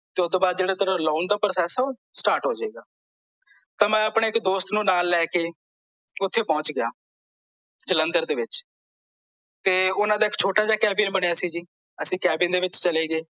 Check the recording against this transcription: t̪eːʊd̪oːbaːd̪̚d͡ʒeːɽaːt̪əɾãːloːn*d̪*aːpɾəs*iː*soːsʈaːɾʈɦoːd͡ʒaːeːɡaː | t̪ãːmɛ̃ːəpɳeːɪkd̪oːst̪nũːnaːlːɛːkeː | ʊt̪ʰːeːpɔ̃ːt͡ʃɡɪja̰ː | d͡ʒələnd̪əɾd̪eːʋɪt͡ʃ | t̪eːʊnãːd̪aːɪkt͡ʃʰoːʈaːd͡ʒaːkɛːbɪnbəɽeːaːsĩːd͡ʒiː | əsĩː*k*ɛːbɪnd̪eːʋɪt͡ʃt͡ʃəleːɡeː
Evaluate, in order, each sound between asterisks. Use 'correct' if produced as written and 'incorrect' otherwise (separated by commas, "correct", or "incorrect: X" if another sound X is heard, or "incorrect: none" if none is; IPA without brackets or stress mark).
correct, incorrect: ɛː, correct